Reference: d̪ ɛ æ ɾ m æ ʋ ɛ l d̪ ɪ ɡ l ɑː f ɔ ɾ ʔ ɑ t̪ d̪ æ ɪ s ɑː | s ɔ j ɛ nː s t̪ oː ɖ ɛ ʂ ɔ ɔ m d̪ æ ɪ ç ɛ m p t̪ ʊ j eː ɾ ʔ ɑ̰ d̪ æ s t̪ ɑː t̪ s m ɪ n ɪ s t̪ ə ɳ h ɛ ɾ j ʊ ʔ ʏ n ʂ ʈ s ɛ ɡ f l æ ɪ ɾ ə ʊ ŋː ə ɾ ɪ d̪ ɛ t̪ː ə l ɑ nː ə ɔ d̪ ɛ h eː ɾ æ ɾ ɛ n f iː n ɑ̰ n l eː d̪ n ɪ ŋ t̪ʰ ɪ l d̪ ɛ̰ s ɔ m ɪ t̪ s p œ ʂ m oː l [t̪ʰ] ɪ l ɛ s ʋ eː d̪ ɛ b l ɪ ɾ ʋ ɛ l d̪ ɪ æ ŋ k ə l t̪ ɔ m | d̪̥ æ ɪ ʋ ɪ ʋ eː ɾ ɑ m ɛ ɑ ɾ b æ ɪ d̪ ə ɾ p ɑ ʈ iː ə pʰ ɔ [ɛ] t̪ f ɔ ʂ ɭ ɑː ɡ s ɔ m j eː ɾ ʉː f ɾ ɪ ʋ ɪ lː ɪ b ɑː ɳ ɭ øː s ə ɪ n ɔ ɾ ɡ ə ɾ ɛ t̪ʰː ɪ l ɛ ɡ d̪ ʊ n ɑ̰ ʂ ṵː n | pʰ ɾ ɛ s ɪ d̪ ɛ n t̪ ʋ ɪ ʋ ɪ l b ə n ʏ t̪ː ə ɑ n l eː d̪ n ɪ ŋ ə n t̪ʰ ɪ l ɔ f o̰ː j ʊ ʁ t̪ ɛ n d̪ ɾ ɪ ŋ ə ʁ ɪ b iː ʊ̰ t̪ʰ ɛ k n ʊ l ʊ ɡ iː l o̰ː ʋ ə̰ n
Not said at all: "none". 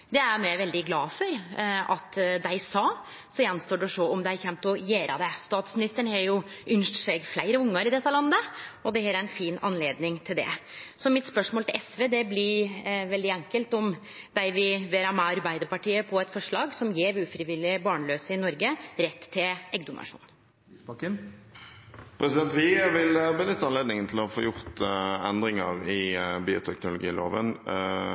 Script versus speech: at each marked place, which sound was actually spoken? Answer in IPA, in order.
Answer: t̪, ɛ

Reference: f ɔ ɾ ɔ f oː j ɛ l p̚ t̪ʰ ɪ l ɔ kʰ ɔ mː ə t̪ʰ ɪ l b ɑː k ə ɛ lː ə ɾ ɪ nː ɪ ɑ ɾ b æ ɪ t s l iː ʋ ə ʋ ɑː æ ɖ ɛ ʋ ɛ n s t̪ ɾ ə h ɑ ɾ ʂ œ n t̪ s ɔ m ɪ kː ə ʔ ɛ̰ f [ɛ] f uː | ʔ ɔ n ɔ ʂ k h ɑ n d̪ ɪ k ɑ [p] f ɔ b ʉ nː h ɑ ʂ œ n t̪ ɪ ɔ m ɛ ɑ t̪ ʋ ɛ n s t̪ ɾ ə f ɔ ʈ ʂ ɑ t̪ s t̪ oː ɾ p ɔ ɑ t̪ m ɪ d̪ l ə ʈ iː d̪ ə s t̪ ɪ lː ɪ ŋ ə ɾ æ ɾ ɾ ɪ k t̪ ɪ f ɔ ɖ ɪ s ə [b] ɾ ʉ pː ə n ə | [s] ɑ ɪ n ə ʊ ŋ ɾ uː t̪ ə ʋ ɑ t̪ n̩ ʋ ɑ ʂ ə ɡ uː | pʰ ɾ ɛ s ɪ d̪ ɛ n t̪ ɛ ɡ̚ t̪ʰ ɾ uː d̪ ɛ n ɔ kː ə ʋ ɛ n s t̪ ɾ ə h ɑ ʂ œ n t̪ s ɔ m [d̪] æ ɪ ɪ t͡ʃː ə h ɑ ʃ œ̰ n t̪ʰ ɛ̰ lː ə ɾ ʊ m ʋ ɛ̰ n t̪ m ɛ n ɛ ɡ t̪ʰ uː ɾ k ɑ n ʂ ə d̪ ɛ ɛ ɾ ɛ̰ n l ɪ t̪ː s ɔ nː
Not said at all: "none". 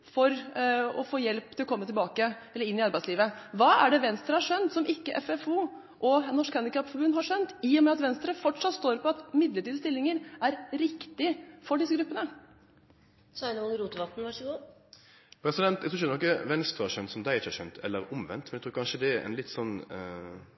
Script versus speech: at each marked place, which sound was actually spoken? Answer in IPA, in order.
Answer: ɛ, p, ɡ, s, d̪

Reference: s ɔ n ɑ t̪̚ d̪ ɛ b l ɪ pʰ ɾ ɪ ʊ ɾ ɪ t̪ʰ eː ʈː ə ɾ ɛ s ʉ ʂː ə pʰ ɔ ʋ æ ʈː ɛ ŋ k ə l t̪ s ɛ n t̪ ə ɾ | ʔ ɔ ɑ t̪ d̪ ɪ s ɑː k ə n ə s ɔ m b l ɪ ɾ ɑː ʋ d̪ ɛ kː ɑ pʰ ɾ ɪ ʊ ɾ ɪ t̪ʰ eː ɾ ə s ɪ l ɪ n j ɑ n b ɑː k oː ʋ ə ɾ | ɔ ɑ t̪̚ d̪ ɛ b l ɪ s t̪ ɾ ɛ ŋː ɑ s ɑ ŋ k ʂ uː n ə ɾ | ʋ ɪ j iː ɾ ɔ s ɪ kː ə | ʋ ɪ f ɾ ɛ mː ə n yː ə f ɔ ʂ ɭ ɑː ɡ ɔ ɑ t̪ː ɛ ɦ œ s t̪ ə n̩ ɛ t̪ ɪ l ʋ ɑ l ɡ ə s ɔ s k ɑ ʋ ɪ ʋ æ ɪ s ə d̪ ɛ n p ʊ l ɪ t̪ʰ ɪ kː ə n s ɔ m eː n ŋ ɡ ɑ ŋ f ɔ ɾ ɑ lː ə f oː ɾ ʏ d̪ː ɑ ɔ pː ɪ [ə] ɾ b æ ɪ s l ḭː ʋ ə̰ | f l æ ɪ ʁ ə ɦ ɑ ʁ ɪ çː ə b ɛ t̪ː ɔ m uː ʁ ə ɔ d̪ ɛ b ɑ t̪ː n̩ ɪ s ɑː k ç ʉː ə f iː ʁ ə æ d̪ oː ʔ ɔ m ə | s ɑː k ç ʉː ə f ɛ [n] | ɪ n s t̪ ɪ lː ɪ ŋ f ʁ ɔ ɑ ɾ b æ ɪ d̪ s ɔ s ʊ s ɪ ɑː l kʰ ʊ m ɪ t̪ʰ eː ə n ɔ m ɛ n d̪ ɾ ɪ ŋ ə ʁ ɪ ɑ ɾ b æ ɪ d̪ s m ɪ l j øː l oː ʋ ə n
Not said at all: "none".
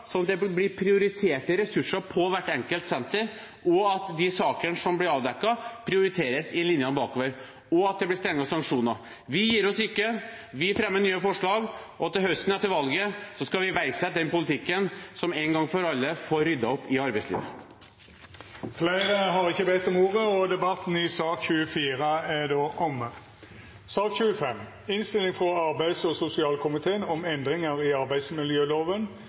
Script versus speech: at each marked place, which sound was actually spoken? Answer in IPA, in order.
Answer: ɑ, m

